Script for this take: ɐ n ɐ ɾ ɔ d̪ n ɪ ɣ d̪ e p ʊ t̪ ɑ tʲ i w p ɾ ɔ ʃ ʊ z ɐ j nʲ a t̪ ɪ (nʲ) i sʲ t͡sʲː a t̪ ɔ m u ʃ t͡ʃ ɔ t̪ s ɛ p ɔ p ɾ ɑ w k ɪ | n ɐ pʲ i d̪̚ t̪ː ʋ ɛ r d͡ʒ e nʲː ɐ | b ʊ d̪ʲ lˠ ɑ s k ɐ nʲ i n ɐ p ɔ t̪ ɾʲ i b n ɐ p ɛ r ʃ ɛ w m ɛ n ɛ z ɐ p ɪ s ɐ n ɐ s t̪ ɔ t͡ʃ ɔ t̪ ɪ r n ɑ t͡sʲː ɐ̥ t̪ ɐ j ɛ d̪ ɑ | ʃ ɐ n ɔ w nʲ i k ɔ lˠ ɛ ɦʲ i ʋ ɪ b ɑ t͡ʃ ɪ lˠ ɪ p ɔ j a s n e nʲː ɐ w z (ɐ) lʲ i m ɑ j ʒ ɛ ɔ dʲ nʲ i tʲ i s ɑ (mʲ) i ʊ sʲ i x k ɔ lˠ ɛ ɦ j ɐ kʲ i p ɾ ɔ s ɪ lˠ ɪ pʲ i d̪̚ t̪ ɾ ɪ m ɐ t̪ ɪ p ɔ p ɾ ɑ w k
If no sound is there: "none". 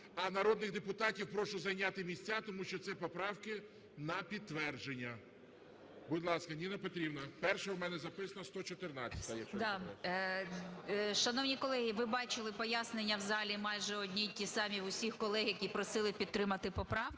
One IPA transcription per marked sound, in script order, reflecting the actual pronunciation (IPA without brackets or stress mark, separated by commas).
mʲ, ɑ, mʲ